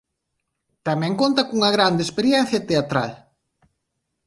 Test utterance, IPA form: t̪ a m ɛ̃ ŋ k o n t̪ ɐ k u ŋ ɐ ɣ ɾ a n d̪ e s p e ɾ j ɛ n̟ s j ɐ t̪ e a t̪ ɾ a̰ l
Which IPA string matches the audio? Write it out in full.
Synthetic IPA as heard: t̪ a m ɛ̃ ŋ k o n t̪ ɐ k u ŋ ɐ ɣ ɾ a n d̪ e s p e ɾ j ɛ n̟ θ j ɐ t̪ e a t̪ ɾ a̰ l

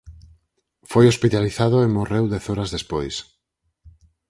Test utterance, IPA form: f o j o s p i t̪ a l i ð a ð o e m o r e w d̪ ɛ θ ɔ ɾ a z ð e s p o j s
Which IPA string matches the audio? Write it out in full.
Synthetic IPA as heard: f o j o s p i t̪ a l i θ a ð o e m o r e w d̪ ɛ θ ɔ ɾ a z ð e s p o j s

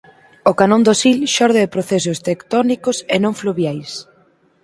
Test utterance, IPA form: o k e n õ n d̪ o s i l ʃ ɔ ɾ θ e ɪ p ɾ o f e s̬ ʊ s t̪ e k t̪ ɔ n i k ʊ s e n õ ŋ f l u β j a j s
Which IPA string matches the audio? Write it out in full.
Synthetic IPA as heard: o k a n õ n d̪ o s i l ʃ ɔ ɾ ð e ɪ p ɾ o θ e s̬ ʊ s t̪ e k t̪ ɔ n i k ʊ s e n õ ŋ f l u β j a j s

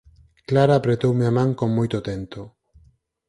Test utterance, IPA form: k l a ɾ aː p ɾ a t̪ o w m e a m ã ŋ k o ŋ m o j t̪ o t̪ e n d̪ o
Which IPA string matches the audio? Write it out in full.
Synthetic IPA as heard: k l a ɾ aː p ɾ e t̪ o w m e a m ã ŋ k o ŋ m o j t̪ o t̪ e n t̪ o

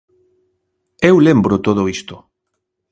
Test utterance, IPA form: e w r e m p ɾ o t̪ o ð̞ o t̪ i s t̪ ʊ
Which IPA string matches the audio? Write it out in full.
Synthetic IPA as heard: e w l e m b ɾ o t̪ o ð̞ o i s t̪ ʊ

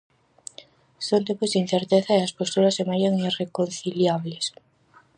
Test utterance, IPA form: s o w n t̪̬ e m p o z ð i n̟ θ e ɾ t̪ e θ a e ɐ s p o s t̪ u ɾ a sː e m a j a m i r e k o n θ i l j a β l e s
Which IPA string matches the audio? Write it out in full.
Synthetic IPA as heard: s o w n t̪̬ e m p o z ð i n̟ θ e ɾ t̪ e θ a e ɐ s p o s t̪ u ɾ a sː e m a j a ŋ i r e k o n θ i l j a β l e s

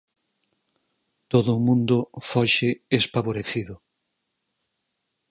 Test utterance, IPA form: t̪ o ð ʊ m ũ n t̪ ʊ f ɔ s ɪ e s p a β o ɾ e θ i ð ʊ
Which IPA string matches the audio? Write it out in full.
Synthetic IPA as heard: t̪ o ð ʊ m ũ n d̪ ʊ f ɔ ʃ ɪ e s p a β o ɾ e θ i ð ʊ

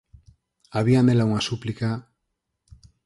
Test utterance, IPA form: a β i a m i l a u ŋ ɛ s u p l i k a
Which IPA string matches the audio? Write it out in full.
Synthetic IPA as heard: a β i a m e l a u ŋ a s u p l i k a

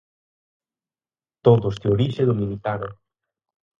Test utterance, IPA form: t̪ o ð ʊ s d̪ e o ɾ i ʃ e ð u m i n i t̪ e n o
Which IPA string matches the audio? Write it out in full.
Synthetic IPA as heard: t̪ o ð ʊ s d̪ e o ɾ i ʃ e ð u m i n i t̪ a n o

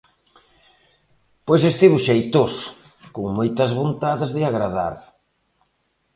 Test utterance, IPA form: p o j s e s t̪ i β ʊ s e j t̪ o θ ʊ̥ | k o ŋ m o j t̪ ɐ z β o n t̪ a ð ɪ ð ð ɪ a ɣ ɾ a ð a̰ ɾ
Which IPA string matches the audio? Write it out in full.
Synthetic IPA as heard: p o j s e s t̪ i β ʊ ʃ e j t̪ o s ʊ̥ | k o ŋ m o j t̪ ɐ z β o n t̪ a ð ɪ z ð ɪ a ɣ ɾ a ð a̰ ɾ

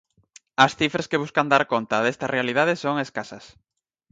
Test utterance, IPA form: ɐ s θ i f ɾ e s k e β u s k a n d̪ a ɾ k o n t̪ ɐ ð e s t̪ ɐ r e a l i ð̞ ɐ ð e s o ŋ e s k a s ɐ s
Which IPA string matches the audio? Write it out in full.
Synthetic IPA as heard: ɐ s θ i f ɾ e s k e β u s k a n d̪ a ɾ k o n t̪ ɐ ð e s t̪ ɐ r e a l i ð̞ a ð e s o ŋ e s k a s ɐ s

